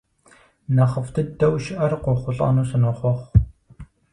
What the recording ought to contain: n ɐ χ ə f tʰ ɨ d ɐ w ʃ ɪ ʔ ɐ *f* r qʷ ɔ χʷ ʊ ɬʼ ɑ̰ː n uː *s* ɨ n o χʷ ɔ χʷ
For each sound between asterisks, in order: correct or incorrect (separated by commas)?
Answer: incorrect, correct